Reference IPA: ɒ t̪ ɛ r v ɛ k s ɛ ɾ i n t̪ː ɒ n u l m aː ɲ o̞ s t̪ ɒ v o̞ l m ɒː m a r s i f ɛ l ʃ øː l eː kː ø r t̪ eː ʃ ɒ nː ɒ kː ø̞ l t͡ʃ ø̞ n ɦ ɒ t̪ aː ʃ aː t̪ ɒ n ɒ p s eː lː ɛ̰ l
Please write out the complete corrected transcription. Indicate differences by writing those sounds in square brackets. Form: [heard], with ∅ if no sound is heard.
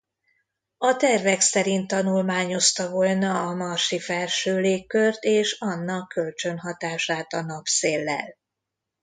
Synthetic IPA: ɒ t̪ ɛ r v ɛ k s ɛ ɾ i n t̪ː ɒ n u l m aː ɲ o̞ s t̪ ɒ v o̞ l [n] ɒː m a r [ʃ] i f ɛ l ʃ øː l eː kː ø r t̪ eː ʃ ɒ nː ɒ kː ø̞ l t͡ʃ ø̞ n ɦ ɒ t̪ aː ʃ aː t̪ ɒ n ɒ p s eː lː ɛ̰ l